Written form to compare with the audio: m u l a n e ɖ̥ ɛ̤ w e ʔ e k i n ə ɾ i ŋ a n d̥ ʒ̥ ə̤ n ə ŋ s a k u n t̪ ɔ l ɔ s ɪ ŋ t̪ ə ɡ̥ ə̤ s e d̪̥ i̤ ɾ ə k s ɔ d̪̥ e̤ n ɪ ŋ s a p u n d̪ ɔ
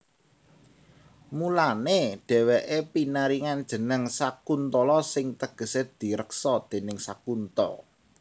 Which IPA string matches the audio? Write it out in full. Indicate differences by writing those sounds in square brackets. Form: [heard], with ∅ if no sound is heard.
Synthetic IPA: m u l a n e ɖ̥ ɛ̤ w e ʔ e [p] i n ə ɾ i ŋ a n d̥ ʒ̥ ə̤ n ə ŋ s a k u n t̪ ɔ l ɔ s ɪ ŋ t̪ ə ɡ̥ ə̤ s e d̪̥ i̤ ɾ ə k s ɔ d̪̥ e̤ n ɪ ŋ s a [k] u n [t̪] ɔ